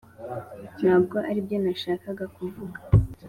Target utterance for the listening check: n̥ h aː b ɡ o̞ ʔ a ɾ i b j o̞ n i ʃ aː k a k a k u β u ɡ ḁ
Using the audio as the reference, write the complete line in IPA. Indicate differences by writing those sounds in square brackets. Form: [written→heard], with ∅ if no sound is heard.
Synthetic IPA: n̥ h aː b ɡ o̞ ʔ a ɾ i b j o̞ n [i→a] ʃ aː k a [k→ɡ] a k u [β→v] u ɡ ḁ